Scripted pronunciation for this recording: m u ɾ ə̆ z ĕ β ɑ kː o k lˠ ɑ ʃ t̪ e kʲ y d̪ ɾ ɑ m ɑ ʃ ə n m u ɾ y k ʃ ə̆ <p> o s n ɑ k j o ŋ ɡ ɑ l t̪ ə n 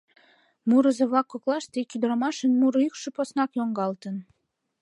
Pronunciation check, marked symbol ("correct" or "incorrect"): correct